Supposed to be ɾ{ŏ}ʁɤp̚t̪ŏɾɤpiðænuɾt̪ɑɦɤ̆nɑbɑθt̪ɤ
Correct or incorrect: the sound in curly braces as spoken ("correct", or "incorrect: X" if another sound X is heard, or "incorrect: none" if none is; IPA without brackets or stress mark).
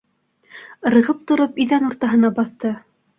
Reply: incorrect: ɤ̆